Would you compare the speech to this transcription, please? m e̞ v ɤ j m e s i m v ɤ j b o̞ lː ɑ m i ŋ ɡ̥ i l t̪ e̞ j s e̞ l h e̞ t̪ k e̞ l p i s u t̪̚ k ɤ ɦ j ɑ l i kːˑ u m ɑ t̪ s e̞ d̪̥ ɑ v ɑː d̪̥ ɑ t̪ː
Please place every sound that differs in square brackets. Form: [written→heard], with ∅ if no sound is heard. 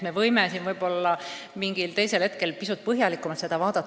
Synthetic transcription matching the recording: m e̞ v ɤ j m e s i [m→n] v ɤ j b o̞ lː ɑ m i ŋ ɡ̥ i l t̪ e̞ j s e̞ l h e̞ t̪ k e̞ l p i s u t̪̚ [k→p] ɤ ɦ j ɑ l i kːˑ u m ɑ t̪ s e̞ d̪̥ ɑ v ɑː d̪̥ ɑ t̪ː